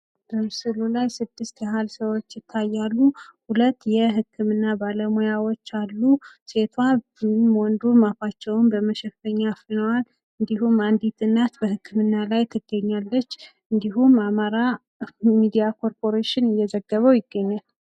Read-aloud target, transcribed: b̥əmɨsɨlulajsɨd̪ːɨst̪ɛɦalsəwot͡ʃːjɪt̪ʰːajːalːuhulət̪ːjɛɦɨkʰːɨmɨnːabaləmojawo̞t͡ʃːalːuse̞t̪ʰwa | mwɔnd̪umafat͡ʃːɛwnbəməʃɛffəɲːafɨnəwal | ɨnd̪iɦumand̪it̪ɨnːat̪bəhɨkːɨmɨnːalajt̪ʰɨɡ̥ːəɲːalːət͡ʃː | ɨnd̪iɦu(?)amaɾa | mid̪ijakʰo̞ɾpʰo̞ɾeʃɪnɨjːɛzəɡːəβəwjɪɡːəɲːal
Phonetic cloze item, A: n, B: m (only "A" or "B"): B